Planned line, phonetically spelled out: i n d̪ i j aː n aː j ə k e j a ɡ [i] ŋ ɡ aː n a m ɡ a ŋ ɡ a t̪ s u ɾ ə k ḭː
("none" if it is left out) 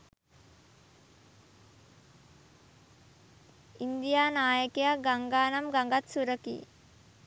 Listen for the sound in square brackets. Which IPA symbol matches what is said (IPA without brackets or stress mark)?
a